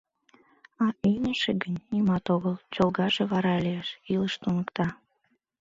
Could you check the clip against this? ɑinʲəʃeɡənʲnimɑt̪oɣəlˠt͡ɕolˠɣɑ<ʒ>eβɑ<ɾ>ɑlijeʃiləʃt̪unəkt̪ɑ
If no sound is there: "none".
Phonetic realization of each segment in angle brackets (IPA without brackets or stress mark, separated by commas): ʒ, ɾ